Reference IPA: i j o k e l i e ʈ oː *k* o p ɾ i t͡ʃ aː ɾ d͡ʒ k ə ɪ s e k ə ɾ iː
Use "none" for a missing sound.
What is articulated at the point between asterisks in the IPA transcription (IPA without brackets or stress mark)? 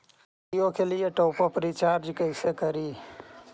p